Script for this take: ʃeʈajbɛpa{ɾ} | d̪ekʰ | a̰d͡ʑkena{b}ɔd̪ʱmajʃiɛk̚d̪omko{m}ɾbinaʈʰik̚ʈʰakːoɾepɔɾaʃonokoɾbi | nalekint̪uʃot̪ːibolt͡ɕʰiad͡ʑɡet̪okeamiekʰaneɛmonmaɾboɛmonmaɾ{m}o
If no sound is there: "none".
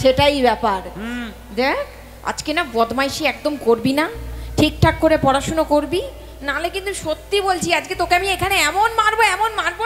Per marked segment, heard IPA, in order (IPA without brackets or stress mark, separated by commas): ɾ, b, none, b